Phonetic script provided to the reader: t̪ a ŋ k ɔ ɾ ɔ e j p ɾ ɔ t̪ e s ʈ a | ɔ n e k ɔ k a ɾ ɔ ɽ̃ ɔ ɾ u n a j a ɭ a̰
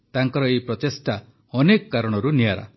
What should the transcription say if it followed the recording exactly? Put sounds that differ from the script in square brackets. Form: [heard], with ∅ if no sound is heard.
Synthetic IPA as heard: t̪ a ŋ k ɔ ɾ ɔ e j p ɾ ɔ t̪ e s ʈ a | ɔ n e k ɔ k a ɾ ɔ ɽ̃ ɔ ɾ u n [i] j a [ɾ] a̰